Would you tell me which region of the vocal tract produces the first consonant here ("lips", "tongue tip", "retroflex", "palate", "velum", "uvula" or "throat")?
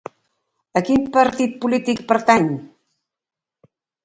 velum